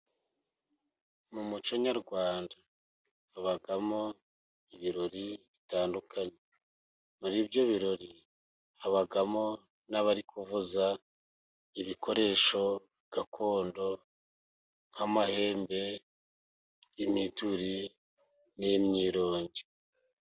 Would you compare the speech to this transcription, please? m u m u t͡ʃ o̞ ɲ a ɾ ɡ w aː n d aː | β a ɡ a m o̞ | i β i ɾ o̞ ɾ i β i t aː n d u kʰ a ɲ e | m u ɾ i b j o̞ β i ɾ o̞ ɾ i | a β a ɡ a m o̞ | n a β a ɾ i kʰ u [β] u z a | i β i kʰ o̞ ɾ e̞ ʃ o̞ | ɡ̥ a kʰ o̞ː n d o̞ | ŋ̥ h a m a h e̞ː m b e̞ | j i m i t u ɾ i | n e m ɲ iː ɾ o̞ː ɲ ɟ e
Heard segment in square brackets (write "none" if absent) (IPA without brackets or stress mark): v